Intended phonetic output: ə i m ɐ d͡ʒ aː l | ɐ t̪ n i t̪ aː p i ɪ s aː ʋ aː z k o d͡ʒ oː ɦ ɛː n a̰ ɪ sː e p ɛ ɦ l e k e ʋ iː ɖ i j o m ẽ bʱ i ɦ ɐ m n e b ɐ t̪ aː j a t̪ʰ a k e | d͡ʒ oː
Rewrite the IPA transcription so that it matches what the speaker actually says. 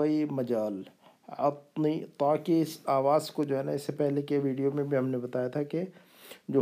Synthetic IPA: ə i m ɐ d͡ʒ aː l | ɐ t̪ n i t̪ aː k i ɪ s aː ʋ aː z k o d͡ʒ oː ɦ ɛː n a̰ ɪ sː e p ɛ ɦ l e k e ʋ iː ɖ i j o m ẽ bʱ i ɦ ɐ m n e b ɐ t̪ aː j a t̪ʰ a k e | d͡ʒ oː